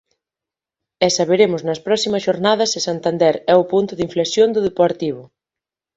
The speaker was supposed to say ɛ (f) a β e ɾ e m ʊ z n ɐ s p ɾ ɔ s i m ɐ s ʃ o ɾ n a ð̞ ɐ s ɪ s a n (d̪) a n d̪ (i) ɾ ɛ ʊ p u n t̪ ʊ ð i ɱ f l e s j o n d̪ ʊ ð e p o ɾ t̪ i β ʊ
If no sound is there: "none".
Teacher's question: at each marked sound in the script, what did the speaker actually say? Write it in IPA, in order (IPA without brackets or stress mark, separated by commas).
s, t̪, ɛ